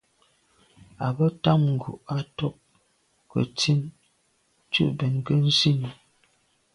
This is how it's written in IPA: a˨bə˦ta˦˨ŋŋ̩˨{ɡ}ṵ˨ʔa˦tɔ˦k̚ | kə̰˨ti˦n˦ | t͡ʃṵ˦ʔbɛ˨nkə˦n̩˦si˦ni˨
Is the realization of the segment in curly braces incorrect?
no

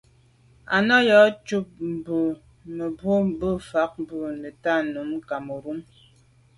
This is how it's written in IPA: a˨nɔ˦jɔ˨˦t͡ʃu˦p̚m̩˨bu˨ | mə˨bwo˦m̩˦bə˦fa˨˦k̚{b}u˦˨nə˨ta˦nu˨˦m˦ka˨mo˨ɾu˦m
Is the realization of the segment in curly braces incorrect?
no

